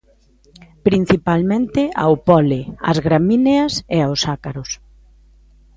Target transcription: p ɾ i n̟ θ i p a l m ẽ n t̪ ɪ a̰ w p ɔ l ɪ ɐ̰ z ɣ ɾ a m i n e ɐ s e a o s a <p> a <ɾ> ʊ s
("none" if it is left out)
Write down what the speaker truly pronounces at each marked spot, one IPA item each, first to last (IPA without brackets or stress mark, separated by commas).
k, ɾ